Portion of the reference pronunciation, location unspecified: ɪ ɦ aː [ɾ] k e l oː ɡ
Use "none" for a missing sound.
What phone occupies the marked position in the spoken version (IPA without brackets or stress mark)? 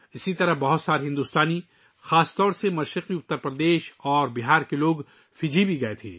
ɾ